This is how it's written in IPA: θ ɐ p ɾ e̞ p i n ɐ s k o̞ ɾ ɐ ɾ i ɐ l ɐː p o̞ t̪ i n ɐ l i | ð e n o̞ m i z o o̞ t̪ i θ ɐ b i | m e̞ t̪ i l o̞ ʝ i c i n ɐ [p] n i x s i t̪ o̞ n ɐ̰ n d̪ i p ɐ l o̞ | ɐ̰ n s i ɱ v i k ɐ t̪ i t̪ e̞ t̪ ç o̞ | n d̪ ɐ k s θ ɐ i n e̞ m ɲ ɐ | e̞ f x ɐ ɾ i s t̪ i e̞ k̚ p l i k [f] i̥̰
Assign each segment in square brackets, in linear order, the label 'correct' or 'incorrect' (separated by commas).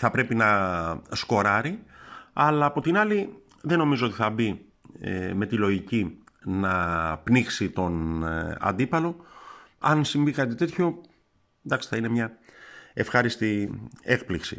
correct, incorrect